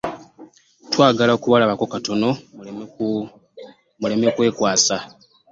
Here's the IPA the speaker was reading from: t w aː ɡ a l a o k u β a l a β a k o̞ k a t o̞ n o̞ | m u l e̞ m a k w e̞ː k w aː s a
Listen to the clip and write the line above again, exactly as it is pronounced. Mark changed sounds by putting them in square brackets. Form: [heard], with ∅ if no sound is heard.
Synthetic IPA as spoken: t w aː ɡ a l a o k u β a l a β a k o̞ k a t o̞ n o̞ | m u l e̞ m [e] k w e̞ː k w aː s a